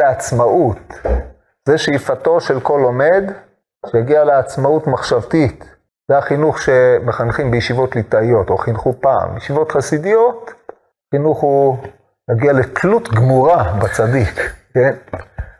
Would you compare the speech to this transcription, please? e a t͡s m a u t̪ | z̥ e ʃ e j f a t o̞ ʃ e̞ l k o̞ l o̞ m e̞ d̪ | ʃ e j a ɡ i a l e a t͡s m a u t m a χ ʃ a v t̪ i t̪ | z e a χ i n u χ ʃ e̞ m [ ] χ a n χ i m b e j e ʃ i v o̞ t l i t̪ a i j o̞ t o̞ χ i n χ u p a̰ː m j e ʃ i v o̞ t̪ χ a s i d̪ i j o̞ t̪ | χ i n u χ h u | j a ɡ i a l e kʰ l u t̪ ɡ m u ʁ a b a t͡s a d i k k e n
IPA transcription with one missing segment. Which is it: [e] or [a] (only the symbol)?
e